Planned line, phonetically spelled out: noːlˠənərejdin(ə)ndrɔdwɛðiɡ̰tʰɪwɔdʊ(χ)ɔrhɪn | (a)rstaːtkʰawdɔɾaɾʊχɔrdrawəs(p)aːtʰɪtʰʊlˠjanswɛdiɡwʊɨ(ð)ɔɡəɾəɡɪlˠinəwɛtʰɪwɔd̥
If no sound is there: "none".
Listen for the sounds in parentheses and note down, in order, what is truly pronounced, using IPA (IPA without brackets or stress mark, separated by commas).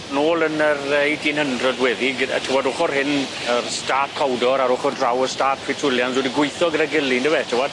ə, χ, ə, t, θ